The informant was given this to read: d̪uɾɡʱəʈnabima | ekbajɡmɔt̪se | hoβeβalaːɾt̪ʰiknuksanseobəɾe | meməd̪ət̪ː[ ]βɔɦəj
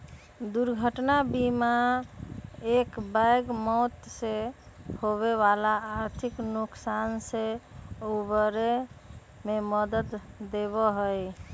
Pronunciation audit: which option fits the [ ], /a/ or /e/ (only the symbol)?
e